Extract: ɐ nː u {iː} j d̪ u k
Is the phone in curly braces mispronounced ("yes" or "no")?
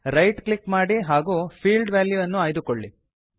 yes